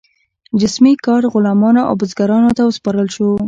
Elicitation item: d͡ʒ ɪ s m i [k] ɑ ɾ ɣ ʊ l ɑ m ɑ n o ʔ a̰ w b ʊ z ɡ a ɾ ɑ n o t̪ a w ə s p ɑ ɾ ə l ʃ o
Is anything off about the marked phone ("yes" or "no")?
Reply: no